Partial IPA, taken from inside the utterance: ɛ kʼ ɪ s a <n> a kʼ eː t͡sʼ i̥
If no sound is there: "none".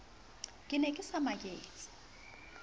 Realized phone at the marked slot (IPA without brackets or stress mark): m